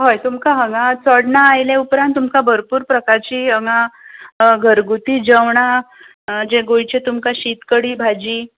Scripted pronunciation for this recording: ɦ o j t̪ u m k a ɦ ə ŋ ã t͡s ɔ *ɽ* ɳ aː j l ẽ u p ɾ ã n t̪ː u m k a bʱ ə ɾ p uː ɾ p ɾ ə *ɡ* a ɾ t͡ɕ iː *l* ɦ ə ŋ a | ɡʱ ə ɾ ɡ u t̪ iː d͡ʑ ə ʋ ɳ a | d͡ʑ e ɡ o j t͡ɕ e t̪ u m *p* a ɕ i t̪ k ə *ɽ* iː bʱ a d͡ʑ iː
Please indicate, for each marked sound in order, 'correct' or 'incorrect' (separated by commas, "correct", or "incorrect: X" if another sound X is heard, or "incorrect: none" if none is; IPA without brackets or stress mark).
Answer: correct, incorrect: k, incorrect: none, incorrect: k, correct